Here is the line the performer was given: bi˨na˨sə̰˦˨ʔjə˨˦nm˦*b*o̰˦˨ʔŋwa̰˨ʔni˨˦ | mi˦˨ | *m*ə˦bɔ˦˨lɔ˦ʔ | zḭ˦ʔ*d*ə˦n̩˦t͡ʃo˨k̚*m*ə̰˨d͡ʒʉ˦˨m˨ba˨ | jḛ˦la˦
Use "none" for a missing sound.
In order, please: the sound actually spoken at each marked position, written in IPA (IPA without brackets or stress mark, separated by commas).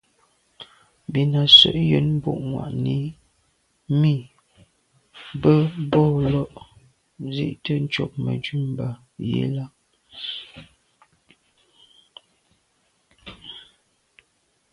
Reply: b, b, t, m